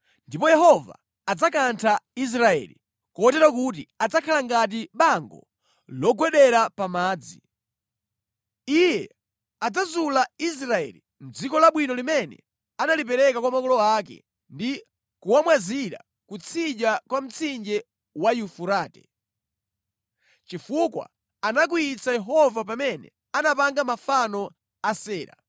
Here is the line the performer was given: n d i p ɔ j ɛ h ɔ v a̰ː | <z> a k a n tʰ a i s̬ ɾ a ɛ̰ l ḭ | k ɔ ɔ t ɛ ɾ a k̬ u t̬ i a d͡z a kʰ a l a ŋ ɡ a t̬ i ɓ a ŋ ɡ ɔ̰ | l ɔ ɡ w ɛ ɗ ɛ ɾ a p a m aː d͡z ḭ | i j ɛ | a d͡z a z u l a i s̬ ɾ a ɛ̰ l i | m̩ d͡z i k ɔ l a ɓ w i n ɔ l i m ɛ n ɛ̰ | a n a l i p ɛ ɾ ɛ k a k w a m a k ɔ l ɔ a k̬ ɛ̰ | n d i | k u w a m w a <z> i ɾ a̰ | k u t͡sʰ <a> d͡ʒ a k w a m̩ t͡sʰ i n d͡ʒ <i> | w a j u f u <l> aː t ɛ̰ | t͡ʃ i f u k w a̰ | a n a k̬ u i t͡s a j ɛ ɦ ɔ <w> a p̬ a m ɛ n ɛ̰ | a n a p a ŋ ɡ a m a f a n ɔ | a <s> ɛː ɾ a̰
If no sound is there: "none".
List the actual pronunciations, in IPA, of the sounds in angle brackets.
d͡z, z, i, ɛ, ɾ, v, s

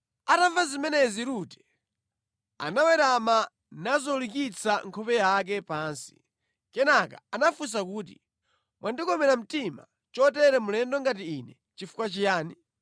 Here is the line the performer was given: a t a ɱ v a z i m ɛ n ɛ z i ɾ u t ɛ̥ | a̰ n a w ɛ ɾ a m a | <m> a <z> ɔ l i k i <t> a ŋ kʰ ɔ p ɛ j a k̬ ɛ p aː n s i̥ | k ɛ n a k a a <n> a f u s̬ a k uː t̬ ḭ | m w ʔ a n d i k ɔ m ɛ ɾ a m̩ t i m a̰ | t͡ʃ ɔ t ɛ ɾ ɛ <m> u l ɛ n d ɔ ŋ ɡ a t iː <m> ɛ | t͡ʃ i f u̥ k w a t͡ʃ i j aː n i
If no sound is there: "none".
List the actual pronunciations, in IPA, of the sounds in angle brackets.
n, z, t͡s, n, m, n

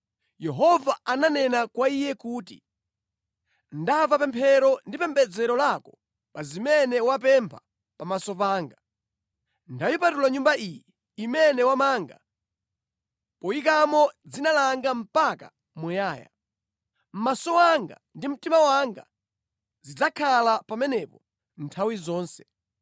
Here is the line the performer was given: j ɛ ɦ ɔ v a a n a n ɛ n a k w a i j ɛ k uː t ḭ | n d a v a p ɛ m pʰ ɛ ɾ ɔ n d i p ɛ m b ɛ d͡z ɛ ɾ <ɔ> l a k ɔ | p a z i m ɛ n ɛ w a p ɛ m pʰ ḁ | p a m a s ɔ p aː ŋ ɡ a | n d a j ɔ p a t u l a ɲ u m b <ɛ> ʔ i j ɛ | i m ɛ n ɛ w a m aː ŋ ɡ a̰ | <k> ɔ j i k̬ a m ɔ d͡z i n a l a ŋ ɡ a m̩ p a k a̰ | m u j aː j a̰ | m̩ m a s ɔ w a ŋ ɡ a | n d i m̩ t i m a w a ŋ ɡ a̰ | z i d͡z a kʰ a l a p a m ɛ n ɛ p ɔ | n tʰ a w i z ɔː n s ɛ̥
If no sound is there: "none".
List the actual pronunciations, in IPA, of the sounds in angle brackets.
ɔ, a, p

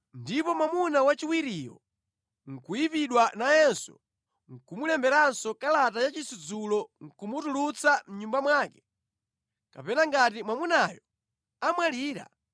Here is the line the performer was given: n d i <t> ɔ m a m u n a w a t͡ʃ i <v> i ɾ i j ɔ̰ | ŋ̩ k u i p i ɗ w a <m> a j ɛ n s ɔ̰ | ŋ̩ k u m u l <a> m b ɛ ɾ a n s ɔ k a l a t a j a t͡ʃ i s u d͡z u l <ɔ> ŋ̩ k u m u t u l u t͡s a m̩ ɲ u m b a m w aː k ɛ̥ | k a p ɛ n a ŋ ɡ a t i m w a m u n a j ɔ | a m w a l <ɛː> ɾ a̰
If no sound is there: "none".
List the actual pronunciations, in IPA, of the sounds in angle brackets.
p, w, n, ɛ, ɔ, iː

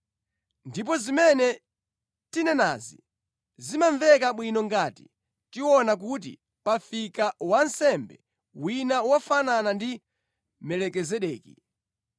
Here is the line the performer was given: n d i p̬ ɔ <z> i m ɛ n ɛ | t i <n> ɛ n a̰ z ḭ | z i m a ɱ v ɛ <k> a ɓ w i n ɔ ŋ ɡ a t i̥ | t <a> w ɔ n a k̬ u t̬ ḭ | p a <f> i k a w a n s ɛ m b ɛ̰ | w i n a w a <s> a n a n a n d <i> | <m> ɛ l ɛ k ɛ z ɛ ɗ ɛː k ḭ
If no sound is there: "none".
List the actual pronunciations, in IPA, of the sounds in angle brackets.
z, n, k, i, f, f, i, m

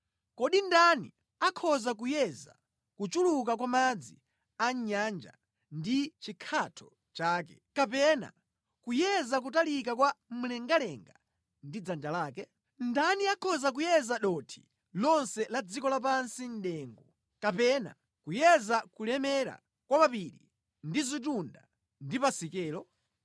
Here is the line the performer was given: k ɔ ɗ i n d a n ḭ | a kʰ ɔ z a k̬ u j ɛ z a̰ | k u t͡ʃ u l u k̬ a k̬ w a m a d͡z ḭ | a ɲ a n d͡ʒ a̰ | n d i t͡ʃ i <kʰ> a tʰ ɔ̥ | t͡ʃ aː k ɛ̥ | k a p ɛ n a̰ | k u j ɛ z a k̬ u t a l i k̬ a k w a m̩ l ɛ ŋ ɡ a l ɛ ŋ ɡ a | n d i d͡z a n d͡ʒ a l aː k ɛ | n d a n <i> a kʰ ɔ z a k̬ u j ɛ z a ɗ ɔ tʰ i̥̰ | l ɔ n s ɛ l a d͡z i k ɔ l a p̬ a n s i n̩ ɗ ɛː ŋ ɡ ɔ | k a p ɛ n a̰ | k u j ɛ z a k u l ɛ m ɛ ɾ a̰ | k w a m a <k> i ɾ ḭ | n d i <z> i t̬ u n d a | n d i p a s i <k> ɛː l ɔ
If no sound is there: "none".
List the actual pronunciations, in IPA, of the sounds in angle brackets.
kʰ, i, p, z, k

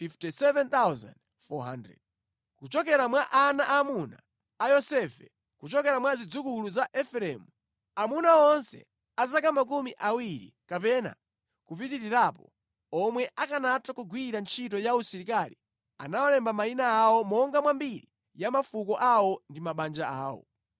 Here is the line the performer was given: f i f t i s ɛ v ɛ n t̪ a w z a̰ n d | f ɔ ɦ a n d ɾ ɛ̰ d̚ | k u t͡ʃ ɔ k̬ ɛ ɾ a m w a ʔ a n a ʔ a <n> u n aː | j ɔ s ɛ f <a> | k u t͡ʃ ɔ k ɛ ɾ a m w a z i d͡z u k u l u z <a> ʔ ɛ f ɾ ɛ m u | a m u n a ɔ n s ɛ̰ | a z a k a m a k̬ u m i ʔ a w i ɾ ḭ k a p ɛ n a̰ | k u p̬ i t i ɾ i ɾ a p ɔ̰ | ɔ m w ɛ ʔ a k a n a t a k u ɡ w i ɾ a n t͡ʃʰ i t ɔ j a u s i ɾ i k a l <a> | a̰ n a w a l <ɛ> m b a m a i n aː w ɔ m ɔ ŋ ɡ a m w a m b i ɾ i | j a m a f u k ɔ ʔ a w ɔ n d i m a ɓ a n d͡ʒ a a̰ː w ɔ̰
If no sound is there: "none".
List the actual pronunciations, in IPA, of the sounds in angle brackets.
m, ɛ, a, i, ɛ

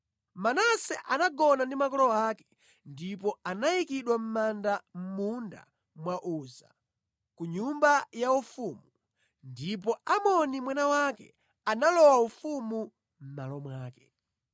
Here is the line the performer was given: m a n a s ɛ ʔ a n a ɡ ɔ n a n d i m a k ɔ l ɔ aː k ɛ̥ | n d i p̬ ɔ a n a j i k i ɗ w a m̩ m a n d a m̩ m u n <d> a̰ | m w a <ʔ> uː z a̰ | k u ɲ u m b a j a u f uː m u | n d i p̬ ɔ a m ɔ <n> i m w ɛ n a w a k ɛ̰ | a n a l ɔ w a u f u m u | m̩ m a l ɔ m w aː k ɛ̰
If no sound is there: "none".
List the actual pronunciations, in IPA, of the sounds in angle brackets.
d, ʔ, n

